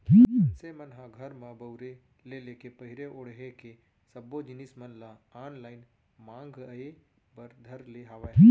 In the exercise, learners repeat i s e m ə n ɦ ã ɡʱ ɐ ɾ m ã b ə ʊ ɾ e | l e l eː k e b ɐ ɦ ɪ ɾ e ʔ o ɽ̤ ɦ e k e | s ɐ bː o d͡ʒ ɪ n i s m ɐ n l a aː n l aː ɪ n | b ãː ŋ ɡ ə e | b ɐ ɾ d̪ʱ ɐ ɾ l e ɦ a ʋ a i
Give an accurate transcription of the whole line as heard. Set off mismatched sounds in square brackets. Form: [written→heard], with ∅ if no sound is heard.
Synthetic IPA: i s e m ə n ɦ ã ɡʱ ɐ ɾ m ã b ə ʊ ɾ e | l e l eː k e [b→p] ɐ ɦ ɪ ɾ e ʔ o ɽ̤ ɦ e k e | s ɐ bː o d͡ʒ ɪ n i s m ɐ n l a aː n l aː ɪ n | [b→m] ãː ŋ ɡ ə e | b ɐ ɾ d̪ʱ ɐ ɾ l e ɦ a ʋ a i